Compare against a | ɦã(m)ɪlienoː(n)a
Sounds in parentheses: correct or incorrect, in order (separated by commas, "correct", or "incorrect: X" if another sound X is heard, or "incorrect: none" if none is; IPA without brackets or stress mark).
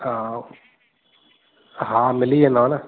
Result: correct, correct